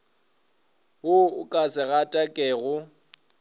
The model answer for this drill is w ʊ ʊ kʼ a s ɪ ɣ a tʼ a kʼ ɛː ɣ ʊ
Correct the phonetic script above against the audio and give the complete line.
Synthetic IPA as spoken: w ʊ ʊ kʼ a s ɪ ɣ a tʼ a kʼ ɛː ɣ ʊ

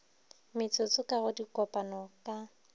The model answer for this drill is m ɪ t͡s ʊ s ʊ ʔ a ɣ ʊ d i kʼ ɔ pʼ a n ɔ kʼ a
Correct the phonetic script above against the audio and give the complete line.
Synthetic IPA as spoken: m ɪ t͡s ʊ t͡s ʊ k a ɣ ʊ d i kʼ ɔ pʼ a n ɔ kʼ a

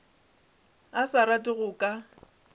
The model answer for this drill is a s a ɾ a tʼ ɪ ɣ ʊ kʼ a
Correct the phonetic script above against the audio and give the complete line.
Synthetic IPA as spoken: a s a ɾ a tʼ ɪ ɣ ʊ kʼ a

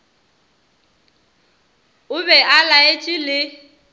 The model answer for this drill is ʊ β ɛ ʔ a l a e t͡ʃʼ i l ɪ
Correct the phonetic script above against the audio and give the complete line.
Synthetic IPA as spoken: ʊ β ɛ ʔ a l a e t͡ʃʼ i l ɪ

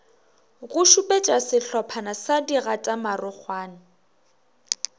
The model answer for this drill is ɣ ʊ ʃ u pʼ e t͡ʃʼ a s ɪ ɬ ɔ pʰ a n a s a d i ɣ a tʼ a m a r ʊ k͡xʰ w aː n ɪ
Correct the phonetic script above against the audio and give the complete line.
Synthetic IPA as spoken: ɣ ʊ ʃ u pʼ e t͡ʃʼ a s ɪ ɬ ɔ pʰ a n a s a d i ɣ a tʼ a m a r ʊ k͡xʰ w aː n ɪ

